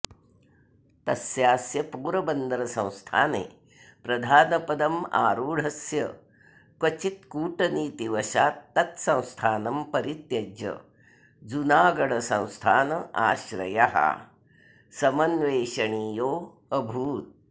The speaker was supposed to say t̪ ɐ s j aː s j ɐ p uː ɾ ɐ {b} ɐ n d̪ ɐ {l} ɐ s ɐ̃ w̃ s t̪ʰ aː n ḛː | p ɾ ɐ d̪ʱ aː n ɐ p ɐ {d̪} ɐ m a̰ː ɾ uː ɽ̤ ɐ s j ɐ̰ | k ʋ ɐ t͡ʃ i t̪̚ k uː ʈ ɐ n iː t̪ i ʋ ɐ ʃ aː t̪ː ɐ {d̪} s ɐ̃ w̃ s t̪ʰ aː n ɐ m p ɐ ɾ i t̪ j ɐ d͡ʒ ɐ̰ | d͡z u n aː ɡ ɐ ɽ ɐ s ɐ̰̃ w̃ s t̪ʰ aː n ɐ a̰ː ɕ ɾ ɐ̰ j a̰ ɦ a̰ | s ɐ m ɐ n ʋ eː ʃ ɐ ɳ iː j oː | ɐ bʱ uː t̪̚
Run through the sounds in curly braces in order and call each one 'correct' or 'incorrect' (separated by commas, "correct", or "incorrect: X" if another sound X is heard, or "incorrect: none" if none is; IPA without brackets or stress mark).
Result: correct, incorrect: ɾ, correct, incorrect: t̪